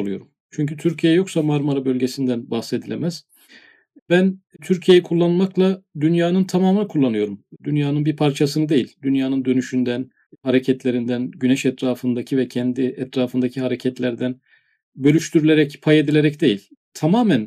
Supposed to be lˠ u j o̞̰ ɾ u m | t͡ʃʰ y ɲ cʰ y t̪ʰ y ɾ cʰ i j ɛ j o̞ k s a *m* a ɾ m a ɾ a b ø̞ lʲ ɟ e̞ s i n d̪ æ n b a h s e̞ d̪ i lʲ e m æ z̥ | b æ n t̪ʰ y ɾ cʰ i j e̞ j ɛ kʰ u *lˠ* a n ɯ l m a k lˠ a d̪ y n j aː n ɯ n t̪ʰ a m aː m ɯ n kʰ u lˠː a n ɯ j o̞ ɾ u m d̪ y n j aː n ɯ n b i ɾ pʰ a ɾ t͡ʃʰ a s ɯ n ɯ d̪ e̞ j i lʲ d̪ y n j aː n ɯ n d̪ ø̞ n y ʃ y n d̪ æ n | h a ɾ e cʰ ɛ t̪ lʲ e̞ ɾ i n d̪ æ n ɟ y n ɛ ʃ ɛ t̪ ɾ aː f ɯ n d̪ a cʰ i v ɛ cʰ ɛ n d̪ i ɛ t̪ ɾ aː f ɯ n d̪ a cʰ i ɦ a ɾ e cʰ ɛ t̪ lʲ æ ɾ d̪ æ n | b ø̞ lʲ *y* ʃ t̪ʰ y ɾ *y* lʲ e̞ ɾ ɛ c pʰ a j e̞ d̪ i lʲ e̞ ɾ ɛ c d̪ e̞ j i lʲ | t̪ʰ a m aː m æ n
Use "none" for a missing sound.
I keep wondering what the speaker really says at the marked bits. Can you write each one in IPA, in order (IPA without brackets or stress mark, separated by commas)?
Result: m, lˠː, y, y